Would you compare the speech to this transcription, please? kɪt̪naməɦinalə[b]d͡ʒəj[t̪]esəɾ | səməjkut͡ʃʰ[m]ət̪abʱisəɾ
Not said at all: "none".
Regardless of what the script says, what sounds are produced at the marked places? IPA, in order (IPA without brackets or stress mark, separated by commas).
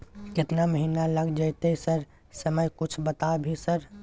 ɡ, t̪, b